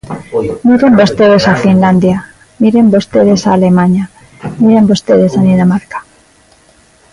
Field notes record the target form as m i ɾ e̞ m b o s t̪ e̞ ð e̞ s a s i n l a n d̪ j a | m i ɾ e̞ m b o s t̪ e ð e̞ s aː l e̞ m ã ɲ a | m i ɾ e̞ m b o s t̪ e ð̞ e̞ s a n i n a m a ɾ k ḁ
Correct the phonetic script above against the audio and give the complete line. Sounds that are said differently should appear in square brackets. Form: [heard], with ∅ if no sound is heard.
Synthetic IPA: m i ɾ e̞ m b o s t̪ e̞ ð e̞ s a [f] i n l a n d̪ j a | m i ɾ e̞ m b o s t̪ e ð e̞ s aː l e̞ m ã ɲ a | m i ɾ e̞ m b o s t̪ e ð̞ e̞ s a n i n a m a ɾ k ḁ